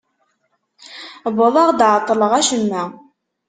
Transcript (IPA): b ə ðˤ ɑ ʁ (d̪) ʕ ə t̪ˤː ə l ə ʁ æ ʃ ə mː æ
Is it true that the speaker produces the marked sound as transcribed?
yes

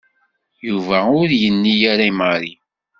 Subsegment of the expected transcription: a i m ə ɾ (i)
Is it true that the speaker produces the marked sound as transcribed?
yes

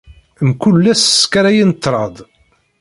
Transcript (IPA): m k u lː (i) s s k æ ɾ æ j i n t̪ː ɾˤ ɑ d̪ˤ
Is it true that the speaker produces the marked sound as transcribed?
no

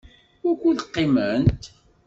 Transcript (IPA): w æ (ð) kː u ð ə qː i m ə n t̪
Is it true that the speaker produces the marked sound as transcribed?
no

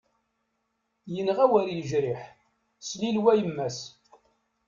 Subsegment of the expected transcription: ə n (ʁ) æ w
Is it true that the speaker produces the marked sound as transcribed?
yes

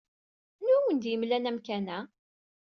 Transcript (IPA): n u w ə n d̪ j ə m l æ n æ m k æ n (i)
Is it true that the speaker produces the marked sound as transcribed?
no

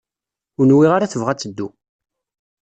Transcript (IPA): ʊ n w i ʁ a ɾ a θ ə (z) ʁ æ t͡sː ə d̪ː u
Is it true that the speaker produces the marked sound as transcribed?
no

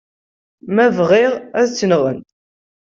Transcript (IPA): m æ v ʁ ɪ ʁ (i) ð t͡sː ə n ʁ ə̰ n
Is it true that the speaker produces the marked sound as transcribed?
no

